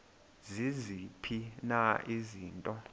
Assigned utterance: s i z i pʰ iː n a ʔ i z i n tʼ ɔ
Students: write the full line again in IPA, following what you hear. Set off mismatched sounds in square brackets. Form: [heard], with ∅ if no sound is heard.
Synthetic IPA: [z] i z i pʰ [i] n a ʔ i z [iː] n tʼ ɔ

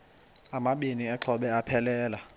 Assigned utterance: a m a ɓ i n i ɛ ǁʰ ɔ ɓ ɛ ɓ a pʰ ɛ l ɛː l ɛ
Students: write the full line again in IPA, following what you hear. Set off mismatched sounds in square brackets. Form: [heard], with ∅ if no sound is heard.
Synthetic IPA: a m a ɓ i n i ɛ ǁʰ ɔ ɓ ɛ [∅] a pʰ ɛ l ɛː l [a]

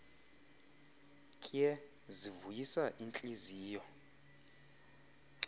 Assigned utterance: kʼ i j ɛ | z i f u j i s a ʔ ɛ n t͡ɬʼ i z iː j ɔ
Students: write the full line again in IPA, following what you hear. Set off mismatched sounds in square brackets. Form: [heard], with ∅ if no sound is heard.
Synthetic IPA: kʼ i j ɛ | z i [v] u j i s a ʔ [i] n t͡ɬʼ i z iː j ɔ

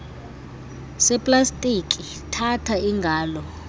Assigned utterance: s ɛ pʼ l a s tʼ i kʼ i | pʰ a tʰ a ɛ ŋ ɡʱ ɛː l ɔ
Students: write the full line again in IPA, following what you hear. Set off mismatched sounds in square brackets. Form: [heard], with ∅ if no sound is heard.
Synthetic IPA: s ɛ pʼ l a s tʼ i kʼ i | [tʰ] a tʰ a [i] ŋ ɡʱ [aː] l ɔ

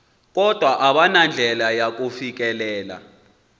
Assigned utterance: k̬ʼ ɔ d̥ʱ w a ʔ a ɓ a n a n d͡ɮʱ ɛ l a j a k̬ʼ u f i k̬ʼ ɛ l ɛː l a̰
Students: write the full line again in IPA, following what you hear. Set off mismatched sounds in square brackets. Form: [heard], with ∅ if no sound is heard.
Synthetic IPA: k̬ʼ ɔ d̥ʱ w a ʔ a ɓ a n a n d͡ɮʱ ɛ l a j a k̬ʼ u f i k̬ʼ ɛ l ɛː l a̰

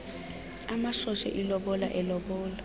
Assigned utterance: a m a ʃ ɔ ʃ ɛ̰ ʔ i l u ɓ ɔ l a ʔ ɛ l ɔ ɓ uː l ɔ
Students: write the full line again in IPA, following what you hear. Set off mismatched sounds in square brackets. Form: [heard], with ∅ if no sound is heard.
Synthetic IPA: a m a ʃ ɔ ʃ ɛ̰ ʔ i l [ɔ] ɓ ɔ l a ʔ ɛ l ɔ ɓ [ɔː] l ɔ

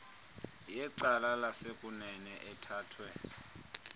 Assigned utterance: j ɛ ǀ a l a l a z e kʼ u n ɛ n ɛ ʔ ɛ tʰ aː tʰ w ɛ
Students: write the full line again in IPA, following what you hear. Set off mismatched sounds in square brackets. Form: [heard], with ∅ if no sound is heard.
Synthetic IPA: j ɛ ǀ a l a l a [s] e kʼ u n ɛ n ɛ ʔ ɛ tʰ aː tʰ w ɛ

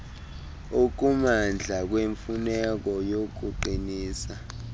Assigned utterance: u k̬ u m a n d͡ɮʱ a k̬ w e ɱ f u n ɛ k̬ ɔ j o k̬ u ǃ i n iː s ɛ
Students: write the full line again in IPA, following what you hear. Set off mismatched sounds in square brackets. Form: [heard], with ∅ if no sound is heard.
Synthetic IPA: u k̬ u m a n d͡ɮʱ a k̬ w e ɱ f u n ɛ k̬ ɔ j o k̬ u ǃ i n iː s [a]

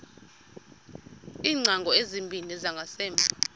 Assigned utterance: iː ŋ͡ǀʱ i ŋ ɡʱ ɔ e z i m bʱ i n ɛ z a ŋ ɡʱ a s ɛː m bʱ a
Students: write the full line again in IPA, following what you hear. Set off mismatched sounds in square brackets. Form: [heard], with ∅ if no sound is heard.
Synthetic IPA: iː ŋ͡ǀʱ [a] ŋ ɡʱ ɔ e z i m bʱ i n ɛ z a ŋ ɡʱ a s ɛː m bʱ a

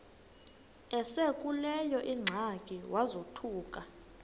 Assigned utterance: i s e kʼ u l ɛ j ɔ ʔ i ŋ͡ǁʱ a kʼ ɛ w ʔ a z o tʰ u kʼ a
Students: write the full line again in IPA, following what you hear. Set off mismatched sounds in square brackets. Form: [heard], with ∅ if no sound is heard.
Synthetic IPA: [ɛ] s e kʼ u l ɛ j ɔ ʔ i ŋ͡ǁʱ a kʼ [i] w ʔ a z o tʰ [uː] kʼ a

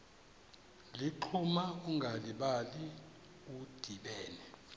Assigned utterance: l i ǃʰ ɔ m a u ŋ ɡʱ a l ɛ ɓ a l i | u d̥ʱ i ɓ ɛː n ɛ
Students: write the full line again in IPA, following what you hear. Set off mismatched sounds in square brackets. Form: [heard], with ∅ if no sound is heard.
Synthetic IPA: l i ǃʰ [u] m a u ŋ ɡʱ a l [i] ɓ a l i | u d̥ʱ i ɓ ɛː n ɛ

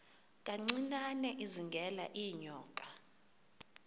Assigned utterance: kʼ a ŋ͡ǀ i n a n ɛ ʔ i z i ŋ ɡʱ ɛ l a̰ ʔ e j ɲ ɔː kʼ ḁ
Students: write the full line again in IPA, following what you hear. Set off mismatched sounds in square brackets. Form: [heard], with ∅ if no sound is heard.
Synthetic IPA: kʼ a ŋ͡ǀ i n a n ɛ ʔ i z i ŋ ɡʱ ɛ l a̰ ʔ [i] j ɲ ɔː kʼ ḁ

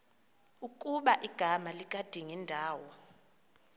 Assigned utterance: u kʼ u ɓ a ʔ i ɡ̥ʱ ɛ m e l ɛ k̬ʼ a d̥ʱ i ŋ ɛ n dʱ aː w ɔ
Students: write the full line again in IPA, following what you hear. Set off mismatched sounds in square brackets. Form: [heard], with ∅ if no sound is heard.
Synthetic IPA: u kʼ u ɓ a ʔ i ɡ̥ʱ [a] m [a] l [i] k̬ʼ a d̥ʱ i ŋ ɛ n dʱ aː w ɔ

